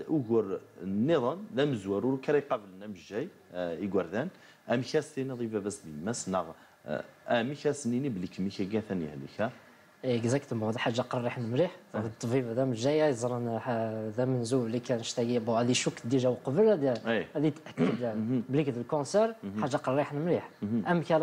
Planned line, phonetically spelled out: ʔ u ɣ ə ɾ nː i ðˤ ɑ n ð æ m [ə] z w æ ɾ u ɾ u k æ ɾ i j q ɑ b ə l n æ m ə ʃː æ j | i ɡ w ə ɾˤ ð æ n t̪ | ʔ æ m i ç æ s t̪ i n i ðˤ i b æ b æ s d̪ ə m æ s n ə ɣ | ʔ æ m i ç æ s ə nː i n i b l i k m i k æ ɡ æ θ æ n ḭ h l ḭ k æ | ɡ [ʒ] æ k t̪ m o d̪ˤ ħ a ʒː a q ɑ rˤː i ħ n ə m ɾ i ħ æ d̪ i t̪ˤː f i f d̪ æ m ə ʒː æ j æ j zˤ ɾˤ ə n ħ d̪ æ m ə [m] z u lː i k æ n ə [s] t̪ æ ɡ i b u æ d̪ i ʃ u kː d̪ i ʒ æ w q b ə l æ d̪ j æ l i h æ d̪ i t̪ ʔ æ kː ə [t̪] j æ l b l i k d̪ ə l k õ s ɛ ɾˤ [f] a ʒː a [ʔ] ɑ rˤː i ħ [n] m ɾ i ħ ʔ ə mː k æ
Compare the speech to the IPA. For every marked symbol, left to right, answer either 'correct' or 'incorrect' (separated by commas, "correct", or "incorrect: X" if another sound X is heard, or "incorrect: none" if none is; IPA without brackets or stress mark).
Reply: correct, incorrect: z, incorrect: n, incorrect: ʃ, incorrect: d̪, incorrect: ħ, incorrect: q, correct